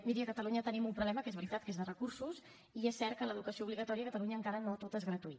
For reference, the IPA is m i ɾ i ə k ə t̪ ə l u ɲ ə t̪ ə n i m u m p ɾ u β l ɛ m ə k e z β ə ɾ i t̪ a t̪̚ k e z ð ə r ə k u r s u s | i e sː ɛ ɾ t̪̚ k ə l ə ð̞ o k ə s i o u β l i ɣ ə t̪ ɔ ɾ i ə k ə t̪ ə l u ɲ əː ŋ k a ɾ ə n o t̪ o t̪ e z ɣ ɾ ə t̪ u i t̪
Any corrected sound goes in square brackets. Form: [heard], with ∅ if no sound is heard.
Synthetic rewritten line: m i ɾ i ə k ə t̪ ə l u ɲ ə t̪ ə n i m u m p ɾ u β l ɛ m ə k e z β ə ɾ i t̪ a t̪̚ k e z ð ə r ə k u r s u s | i e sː ɛ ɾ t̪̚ k ə l ə ð̞ [u] k ə s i o u β l i ɣ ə t̪ ɔ ɾ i ə k ə t̪ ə l u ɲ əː ŋ k a ɾ ə n o t̪ o t̪ e z ɣ ɾ ə t̪ u i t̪